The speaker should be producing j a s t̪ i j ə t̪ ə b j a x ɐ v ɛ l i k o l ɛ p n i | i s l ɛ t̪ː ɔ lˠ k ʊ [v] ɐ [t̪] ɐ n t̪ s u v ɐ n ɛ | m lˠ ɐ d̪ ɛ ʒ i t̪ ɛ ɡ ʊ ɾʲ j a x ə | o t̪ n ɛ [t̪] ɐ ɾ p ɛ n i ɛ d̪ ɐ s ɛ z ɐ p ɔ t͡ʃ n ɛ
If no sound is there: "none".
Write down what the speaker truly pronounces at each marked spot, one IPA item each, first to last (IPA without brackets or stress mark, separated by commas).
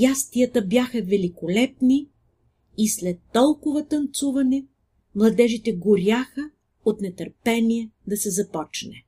v, t̪, t̪